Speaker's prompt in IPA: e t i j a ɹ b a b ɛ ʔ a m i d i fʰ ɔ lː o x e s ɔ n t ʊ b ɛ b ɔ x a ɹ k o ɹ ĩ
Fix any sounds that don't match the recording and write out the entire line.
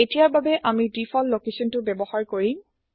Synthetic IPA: e t i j a ɹ b a b ɛ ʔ a m i d i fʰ ɔ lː o k e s ɔ n t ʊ b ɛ b ɔ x a ɹ k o ɹ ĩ